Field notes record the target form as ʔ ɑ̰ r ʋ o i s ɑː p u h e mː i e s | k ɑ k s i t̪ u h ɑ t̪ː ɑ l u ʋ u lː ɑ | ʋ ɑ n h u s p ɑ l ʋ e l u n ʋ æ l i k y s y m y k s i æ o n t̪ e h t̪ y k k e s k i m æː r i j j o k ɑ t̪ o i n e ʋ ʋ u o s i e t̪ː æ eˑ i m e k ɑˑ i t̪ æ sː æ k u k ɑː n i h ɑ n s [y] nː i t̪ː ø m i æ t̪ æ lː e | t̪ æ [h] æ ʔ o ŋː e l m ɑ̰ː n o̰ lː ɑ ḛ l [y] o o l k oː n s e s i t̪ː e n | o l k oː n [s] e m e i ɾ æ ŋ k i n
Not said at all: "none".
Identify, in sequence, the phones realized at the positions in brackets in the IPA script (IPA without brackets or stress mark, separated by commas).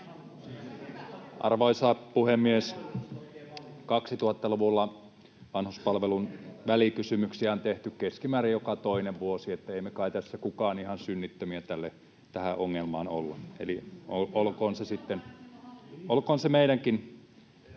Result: y, h, i, s